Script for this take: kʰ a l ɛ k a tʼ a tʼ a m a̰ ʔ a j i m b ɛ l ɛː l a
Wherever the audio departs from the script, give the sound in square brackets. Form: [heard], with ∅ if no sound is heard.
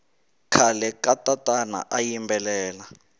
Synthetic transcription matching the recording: kʰ a l ɛ k a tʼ a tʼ a [n] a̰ ʔ a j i m b ɛ l ɛː l a